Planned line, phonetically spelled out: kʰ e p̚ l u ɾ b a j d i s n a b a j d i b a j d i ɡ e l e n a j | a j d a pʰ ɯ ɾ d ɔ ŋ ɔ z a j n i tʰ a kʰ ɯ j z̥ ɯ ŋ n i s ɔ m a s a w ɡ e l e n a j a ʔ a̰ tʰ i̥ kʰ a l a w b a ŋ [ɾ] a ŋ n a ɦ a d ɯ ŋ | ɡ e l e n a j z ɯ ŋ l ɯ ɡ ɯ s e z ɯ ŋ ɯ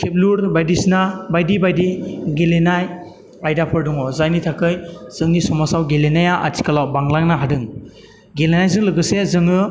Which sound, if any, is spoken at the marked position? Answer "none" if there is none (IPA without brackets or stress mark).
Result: l